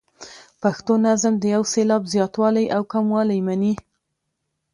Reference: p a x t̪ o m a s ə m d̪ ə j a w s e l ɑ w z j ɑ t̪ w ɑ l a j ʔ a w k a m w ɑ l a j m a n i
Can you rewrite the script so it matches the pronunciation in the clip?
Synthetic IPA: p a x t̪ o n a z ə m d̪ ə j a w s e l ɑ b z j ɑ t̪ w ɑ l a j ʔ a w k a m w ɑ l a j m a n i